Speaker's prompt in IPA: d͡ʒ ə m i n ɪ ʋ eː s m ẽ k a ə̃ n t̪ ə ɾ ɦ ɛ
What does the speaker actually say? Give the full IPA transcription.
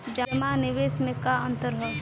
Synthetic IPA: d͡ʒ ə m a n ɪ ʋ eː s m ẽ k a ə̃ n t̪ ə ɾ ɦ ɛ